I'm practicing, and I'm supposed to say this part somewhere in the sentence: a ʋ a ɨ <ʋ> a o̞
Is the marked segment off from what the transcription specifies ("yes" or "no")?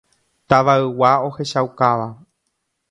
yes